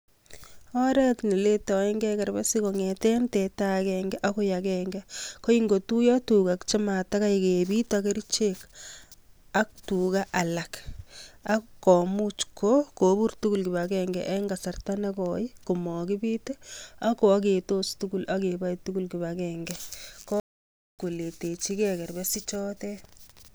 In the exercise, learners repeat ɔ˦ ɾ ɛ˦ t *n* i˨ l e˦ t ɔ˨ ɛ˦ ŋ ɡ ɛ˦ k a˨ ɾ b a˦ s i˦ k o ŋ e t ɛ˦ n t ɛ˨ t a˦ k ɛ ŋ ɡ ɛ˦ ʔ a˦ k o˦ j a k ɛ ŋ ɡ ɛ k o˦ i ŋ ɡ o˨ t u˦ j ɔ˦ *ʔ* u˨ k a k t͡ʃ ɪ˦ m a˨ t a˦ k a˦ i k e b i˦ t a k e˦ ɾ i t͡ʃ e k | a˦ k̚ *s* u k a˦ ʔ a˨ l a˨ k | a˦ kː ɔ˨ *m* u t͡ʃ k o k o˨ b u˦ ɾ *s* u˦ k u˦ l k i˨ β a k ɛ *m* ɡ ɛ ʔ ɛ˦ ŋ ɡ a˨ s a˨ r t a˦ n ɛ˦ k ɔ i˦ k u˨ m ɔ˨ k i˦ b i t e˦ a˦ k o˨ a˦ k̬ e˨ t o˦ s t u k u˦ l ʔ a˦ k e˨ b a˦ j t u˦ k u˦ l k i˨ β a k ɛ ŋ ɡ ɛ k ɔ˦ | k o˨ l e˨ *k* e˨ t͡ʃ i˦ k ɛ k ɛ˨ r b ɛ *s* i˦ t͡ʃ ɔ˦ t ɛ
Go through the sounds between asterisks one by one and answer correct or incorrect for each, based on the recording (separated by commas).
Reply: correct, incorrect, incorrect, correct, incorrect, incorrect, incorrect, correct